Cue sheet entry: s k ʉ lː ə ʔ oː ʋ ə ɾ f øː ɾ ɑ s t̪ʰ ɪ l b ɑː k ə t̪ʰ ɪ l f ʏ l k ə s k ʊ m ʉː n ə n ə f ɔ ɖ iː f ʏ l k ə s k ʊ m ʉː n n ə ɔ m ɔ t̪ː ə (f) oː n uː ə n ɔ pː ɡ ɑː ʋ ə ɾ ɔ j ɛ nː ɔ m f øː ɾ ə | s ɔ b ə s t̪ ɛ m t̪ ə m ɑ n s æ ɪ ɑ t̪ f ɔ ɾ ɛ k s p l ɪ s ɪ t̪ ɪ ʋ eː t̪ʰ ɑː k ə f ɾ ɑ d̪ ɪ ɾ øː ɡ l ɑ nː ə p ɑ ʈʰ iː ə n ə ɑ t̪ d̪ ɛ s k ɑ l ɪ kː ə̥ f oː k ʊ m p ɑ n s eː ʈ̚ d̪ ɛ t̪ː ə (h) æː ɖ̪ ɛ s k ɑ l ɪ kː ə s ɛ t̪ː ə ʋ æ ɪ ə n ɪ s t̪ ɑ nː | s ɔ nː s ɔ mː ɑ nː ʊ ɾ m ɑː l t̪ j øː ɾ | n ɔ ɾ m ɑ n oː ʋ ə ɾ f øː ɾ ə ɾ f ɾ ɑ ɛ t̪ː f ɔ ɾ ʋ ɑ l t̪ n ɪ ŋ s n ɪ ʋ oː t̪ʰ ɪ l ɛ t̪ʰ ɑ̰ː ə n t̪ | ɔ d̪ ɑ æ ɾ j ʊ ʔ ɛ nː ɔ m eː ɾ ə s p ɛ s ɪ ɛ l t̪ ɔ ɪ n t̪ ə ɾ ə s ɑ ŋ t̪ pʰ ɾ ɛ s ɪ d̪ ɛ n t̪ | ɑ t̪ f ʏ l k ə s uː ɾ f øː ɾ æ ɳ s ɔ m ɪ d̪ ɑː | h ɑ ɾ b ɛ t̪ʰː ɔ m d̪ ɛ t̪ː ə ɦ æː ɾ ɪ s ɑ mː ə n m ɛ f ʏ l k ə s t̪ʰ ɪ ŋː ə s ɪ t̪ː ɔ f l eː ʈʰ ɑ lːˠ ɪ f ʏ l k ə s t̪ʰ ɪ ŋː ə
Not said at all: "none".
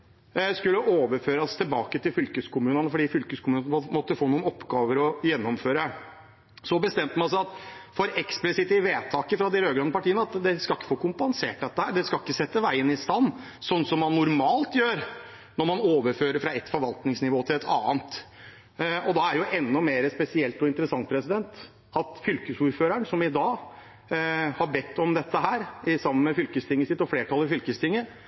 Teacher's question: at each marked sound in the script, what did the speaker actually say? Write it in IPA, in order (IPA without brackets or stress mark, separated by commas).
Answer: f, h